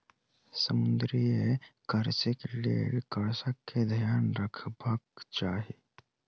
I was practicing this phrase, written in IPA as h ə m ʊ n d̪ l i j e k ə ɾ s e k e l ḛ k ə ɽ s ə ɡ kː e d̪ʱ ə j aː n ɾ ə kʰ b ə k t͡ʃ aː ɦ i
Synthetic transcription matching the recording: s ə m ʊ n d̪ ɾ i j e k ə ɾ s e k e l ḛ k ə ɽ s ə k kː e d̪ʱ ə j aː n ɾ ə kʰ b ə k t͡ʃ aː ɦ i